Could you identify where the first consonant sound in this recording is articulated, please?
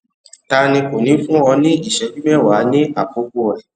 alveolar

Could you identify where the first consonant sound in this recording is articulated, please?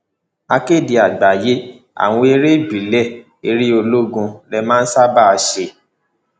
velar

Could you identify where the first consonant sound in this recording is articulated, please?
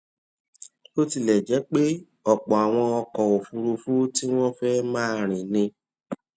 alveolar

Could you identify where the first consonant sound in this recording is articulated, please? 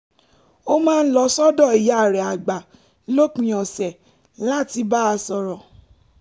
labial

